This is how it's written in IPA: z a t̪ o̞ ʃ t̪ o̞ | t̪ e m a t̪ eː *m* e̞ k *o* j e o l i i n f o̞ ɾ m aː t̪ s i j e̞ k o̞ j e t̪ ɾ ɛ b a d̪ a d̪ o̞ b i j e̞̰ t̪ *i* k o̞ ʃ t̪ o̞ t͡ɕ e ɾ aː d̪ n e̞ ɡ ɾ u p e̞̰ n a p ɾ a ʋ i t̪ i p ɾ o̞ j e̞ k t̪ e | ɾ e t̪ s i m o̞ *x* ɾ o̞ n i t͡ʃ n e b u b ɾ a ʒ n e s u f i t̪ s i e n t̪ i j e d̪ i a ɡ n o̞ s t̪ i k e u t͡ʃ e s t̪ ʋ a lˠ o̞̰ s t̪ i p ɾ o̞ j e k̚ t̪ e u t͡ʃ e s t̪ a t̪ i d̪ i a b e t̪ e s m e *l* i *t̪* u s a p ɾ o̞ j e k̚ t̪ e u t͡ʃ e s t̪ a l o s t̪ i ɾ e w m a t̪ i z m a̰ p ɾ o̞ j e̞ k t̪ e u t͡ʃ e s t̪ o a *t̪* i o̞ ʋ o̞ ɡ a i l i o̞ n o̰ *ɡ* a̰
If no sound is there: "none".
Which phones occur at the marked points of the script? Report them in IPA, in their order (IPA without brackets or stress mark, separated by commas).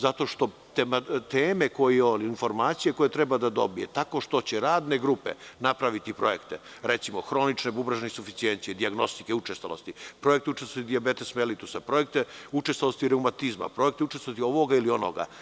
m, o, a, x, l, t̪, t̪, ɡ